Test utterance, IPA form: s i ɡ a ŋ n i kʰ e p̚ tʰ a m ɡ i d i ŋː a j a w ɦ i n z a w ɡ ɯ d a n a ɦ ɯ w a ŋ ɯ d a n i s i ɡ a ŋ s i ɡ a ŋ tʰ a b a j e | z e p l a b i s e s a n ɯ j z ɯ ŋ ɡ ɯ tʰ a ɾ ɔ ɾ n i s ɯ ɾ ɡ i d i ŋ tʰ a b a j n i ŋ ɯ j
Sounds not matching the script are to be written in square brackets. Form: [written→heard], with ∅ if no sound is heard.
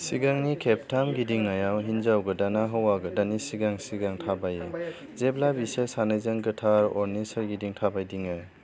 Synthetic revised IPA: s i ɡ a ŋ n i kʰ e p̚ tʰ a m ɡ i d i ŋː a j a w ɦ i n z a w ɡ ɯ d a n a ɦ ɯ w a [ŋ→ɡ] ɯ d a n i s i ɡ a ŋ s i ɡ a ŋ tʰ a b a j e | z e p l a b i s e s a n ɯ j z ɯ ŋ ɡ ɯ tʰ a ɾ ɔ ɾ n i s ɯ ɾ ɡ i d i ŋ tʰ a b a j [n→d] i ŋ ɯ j